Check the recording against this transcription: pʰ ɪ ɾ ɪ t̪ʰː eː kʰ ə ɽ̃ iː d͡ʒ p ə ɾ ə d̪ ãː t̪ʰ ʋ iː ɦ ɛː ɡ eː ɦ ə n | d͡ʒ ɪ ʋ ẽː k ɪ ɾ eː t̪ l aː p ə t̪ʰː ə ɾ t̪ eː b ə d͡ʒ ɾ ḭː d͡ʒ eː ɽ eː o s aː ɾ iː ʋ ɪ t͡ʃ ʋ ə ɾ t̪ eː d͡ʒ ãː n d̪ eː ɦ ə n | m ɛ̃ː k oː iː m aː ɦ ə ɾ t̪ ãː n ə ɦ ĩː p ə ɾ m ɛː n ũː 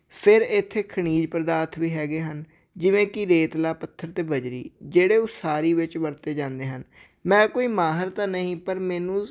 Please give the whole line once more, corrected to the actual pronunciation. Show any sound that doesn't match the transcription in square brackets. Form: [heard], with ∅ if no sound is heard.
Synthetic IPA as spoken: pʰ ɪ ɾ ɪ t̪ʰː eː kʰ ə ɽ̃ iː d͡ʒ p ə ɾ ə d̪ [aː] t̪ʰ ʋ iː ɦ ɛː ɡ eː ɦ ə n | d͡ʒ ɪ ʋ ẽː k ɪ ɾ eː t̪ l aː p ə t̪ʰː ə ɾ t̪ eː b ə d͡ʒ ɾ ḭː d͡ʒ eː ɽ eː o s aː ɾ iː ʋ ɪ t͡ʃ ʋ ə ɾ t̪ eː d͡ʒ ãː n d̪ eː ɦ ə n | m ɛ̃ː k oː iː m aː ɦ ə ɾ t̪ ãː n ə ɦ ĩː p ə ɾ m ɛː n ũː